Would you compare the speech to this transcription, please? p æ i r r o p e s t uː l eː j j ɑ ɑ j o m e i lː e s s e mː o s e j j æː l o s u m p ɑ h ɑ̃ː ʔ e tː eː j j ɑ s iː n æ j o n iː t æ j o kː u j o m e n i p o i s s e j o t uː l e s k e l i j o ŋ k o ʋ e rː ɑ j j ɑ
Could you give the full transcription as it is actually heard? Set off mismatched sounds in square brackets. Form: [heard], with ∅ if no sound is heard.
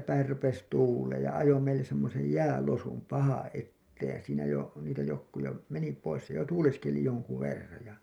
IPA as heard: p æ i r r [u] p e s t uː l eː j j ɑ ɑ j o m e i lː e s s e mː o s e j j æː l o s u m p ɑ h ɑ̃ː ʔ e tː eː j j ɑ s iː n æ j o n iː t æ j o kː u j o m e n i p o i s s e j o t uː l e s k e l i j o ŋ k [u] ʋ e rː ɑ j j ɑ